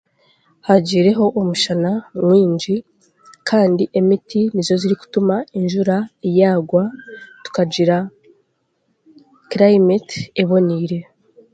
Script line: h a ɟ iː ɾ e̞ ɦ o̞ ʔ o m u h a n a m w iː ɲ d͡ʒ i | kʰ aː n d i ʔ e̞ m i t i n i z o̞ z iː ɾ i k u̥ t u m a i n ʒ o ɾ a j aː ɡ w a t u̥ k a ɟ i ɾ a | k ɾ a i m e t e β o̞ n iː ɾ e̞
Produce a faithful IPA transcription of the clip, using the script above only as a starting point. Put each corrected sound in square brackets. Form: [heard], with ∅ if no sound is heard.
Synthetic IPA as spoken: h a ɟ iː ɾ e̞ ɦ o̞ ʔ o m u [ʃ] a n a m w iː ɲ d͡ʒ i | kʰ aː n d i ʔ e̞ m i t i n i z o̞ z [i] ɾ i k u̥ t u m a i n ʒ [u] ɾ a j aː ɡ w a t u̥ k a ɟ i ɾ a | k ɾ a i m e t e β o̞ n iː ɾ e̞